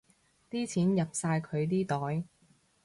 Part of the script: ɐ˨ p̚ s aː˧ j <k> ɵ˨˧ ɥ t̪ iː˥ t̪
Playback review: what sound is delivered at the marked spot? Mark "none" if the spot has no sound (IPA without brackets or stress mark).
kʰ